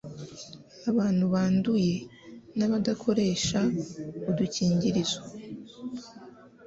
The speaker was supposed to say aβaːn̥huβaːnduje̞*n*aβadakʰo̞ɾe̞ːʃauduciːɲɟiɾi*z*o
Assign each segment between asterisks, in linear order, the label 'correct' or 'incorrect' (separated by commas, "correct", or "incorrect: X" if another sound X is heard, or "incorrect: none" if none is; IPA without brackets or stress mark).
correct, correct